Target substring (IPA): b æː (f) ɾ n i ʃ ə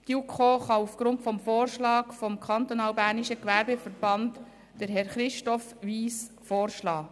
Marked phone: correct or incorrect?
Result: incorrect